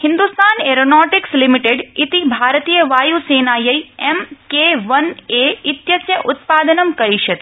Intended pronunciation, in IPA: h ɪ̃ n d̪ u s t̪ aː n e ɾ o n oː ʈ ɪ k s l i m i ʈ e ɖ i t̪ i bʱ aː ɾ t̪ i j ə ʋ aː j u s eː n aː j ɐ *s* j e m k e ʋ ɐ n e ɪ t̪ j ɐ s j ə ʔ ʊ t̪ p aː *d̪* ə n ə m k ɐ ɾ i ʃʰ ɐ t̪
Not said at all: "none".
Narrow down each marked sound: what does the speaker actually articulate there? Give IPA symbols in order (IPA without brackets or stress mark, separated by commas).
none, d̪